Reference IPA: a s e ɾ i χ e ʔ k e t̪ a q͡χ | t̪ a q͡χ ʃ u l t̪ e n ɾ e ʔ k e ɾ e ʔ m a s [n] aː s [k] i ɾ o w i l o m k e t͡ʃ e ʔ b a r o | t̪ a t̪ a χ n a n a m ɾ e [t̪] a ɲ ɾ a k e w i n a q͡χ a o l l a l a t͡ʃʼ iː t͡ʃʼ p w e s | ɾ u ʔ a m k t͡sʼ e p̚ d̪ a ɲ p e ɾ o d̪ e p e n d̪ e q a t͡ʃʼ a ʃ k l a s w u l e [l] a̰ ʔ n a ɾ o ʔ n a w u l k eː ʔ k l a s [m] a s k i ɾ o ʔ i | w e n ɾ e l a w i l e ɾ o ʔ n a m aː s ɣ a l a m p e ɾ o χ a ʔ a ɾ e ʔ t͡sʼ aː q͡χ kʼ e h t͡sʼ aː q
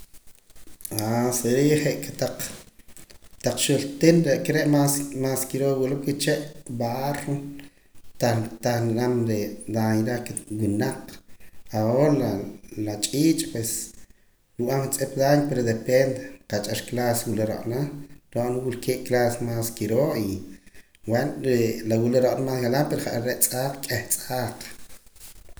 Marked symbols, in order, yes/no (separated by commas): no, yes, no, no, yes